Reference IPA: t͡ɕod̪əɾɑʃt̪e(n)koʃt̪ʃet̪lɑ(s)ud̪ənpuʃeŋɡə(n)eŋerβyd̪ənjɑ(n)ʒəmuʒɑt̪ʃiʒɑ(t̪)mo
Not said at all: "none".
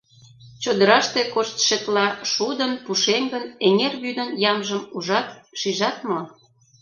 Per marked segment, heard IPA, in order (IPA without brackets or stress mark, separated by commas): none, ʃ, n, m, t̪